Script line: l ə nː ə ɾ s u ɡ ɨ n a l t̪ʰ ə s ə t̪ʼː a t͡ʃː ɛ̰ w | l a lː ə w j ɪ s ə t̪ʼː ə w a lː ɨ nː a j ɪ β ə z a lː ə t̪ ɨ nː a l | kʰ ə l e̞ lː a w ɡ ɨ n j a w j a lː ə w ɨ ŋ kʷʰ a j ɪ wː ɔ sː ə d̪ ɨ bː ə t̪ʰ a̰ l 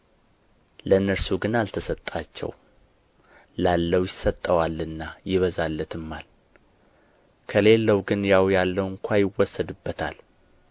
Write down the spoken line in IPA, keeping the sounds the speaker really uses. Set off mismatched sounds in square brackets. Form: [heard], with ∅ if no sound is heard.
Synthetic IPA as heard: l ə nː ə ɾ s u ɡ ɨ n a l t̪ʰ ə s ə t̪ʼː a t͡ʃː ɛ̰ w | l a lː ə w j ɪ s ə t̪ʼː ə w a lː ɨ nː a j ɪ β ə z a lː ə t̪ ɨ [mː] a l | kʰ ə l e̞ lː [ə] w ɡ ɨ n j a w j a lː ə w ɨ ŋ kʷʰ a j ɪ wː ɔ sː ə d̪ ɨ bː ə t̪ʰ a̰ l